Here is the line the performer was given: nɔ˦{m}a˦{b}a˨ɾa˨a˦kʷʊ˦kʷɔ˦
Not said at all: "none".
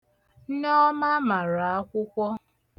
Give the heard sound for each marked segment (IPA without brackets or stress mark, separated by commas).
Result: m, m